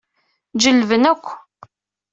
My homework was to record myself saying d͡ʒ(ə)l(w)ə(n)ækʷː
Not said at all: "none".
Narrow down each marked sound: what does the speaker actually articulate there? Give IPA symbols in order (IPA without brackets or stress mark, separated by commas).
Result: ə, v, n